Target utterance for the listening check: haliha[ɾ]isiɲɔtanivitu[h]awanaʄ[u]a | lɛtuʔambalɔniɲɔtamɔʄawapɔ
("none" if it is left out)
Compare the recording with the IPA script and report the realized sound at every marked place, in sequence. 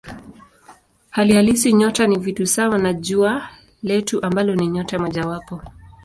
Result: l, s, u

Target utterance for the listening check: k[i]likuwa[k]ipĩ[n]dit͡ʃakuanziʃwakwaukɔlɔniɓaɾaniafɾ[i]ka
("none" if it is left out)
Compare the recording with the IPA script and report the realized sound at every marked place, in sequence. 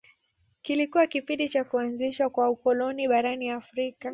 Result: i, k, n, i

